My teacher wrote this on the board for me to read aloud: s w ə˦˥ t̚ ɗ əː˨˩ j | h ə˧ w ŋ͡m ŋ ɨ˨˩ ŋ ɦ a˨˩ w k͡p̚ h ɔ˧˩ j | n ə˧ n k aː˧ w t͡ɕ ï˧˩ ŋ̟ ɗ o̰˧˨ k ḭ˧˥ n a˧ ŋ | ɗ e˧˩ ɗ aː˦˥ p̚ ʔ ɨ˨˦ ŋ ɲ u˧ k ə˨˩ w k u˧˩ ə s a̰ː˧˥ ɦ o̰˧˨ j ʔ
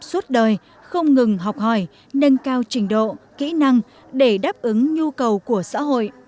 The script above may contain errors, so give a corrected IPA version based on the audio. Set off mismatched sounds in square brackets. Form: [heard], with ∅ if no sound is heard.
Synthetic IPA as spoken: s w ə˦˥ t̚ ɗ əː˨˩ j | [x] ə˧ w ŋ͡m ŋ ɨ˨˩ ŋ ɦ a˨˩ w k͡p̚ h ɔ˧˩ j | n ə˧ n k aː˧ w t͡ɕ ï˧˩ ŋ̟ ɗ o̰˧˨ k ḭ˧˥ n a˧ ŋ | ɗ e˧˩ ɗ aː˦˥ p̚ ʔ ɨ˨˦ ŋ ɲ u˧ k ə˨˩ w k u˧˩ ə s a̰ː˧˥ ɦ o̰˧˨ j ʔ